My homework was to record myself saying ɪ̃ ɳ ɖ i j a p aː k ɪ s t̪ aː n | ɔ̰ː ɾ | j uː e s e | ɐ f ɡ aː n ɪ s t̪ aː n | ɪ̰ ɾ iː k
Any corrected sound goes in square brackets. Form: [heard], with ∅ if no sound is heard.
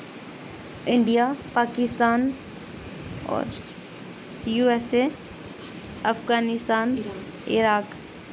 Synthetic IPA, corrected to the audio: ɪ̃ ɳ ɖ i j a p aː k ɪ s t̪ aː n | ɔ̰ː ɾ | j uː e s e | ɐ f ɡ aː n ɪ s t̪ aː n | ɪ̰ ɾ [aː] k